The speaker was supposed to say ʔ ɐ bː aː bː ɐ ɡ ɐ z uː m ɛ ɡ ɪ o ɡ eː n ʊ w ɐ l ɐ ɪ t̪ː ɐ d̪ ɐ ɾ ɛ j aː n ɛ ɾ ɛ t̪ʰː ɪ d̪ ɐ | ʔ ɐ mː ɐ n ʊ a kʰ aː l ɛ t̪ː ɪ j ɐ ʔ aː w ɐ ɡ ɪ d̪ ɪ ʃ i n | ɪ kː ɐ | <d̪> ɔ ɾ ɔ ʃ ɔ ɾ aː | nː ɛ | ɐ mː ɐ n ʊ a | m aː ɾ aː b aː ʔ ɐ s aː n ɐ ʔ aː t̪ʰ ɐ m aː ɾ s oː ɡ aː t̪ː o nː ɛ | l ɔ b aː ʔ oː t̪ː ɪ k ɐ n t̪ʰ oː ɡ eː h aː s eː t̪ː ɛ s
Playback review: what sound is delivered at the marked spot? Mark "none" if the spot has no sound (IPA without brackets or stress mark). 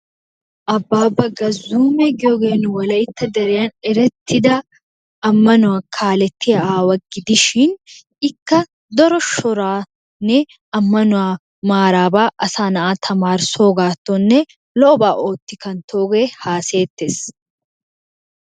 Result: d̪